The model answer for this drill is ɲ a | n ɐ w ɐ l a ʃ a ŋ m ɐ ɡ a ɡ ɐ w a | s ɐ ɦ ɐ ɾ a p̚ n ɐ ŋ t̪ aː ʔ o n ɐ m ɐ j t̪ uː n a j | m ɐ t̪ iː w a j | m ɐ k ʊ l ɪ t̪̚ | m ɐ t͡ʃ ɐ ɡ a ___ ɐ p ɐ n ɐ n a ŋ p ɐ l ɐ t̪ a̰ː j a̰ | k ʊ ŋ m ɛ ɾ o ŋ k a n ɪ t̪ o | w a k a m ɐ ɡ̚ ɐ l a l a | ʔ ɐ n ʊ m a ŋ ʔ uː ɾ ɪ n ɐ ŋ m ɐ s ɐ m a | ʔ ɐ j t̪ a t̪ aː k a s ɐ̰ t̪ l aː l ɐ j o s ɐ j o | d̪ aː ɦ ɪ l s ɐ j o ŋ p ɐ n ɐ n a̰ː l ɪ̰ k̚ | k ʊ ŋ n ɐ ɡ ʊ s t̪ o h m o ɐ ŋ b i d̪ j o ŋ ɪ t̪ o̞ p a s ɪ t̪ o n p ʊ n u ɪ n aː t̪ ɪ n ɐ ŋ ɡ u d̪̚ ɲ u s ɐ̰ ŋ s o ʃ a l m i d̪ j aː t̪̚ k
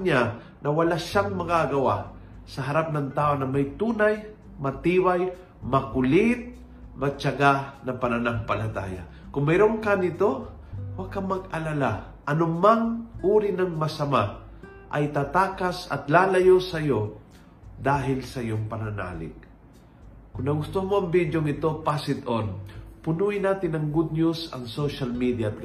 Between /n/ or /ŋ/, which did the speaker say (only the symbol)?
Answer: n